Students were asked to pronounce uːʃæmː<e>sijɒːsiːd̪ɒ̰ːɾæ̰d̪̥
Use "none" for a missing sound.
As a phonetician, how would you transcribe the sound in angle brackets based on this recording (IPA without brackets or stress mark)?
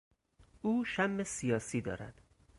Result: e